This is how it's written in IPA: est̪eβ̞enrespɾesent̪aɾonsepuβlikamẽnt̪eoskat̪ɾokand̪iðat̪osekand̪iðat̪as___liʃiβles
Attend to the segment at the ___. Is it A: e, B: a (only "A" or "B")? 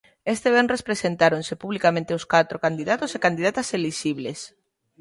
A